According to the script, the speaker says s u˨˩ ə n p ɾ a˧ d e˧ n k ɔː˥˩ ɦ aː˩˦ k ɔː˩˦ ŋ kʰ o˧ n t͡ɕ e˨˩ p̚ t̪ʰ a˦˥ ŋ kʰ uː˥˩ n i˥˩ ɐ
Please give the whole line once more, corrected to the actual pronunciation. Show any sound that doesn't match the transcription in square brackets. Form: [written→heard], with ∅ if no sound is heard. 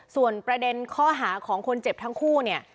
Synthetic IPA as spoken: s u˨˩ ə n p ɾ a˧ d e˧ n [k→kʰ] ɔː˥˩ ɦ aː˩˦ [k→kʰ] ɔː˩˦ ŋ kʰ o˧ n t͡ɕ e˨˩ p̚ t̪ʰ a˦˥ ŋ kʰ uː˥˩ n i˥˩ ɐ